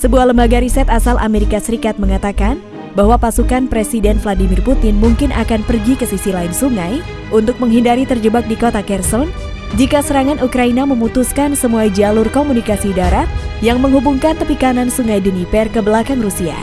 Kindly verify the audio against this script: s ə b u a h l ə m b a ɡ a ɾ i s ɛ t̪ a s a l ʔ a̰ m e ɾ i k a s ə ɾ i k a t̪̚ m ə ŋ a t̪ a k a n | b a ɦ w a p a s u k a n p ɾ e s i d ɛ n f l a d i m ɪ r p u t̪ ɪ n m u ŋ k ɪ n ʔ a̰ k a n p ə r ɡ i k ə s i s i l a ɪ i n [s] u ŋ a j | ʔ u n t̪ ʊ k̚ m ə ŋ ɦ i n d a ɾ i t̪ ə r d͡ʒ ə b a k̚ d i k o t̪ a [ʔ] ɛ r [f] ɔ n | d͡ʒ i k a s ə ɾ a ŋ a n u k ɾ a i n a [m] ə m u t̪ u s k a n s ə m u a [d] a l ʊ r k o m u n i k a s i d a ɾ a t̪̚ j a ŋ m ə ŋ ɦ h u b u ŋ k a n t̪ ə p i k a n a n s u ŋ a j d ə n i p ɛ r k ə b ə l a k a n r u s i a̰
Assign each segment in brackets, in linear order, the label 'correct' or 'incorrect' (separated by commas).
correct, incorrect, incorrect, correct, incorrect